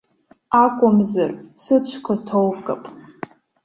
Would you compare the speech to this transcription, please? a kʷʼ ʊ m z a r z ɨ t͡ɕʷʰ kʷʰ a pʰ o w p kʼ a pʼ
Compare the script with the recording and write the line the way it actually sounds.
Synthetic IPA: a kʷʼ ʊ m z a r s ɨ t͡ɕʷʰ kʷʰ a tʰ o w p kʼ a pʼ